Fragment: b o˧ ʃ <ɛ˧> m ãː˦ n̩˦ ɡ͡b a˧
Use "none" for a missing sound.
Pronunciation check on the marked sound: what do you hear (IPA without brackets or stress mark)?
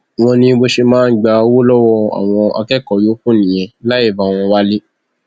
e˧